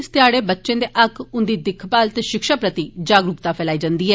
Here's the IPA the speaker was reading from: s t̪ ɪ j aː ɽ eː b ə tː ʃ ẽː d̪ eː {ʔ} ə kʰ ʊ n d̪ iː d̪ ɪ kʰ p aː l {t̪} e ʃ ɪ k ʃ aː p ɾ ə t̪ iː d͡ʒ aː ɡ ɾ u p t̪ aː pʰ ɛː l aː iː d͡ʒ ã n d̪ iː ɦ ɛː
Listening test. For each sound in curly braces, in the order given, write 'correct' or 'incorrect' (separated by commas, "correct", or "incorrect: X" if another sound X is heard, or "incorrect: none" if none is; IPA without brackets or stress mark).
correct, correct